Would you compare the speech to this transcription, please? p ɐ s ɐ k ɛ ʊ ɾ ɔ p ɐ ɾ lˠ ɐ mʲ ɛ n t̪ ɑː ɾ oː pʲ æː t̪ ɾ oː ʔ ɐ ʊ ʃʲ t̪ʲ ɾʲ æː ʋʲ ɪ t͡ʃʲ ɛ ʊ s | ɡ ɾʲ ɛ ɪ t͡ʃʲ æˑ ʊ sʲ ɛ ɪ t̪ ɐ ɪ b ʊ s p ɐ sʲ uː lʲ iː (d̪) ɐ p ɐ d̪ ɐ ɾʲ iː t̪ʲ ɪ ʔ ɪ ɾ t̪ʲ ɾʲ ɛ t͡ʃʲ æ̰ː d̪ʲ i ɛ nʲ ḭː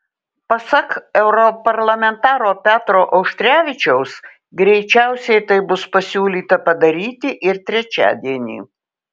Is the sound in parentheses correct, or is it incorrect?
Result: incorrect